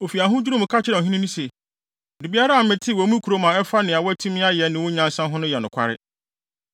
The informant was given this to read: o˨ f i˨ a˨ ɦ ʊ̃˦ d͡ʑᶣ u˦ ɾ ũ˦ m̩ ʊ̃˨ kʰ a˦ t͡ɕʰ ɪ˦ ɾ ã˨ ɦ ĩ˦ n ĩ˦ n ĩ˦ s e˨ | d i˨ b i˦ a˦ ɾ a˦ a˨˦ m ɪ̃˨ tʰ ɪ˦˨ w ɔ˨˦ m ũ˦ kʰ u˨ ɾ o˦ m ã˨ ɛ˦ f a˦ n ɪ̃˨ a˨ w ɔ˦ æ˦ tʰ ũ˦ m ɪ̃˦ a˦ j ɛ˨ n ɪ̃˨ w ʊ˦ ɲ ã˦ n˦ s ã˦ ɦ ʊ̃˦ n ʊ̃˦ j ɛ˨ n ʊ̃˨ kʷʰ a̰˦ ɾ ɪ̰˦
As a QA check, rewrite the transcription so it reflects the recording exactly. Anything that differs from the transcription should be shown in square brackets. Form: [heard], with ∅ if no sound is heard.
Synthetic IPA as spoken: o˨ f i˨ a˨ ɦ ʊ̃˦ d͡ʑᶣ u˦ ɾ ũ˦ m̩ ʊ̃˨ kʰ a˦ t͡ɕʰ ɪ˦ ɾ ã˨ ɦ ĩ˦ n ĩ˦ n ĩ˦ s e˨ | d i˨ b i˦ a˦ ɾ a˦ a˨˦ m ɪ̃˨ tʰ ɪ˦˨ w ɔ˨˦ m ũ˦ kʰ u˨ ɾ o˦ m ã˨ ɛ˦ f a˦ n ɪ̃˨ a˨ w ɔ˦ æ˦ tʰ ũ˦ m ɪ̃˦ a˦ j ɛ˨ n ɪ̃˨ w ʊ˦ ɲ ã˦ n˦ s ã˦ ɦ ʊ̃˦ n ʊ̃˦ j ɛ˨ n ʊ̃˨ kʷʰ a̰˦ ɾ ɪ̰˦